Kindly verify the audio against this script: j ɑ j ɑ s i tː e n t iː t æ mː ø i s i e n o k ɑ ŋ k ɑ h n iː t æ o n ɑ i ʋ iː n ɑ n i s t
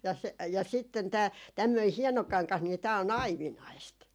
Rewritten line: j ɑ j ɑ s i tː e n t æː t æ mː ø i h i e n o k ɑ ŋ k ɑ h n iː t æː o n ɑ i ʋ i n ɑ i s t